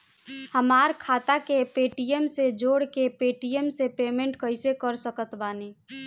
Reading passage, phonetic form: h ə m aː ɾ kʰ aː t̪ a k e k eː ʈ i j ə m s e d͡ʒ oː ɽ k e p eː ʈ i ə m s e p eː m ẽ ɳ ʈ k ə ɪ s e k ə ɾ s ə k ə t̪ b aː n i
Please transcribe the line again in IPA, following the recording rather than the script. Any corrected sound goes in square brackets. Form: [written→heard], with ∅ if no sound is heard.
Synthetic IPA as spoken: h ə m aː ɾ kʰ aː t̪ a k e [k→p] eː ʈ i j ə m s e d͡ʒ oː ɽ k e p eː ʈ i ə m s e p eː m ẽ ɳ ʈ k ə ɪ s e k ə ɾ s ə k ə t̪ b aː n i